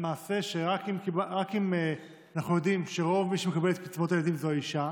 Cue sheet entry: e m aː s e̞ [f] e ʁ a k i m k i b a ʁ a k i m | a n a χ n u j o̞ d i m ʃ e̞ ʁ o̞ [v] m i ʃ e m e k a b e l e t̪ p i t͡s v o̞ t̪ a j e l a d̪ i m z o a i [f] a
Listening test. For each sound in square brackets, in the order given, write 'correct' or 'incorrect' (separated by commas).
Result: incorrect, correct, incorrect